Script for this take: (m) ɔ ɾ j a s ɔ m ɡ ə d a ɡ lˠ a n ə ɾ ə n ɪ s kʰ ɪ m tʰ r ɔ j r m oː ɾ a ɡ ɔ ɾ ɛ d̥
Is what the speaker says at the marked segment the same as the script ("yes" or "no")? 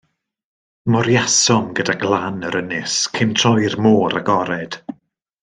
yes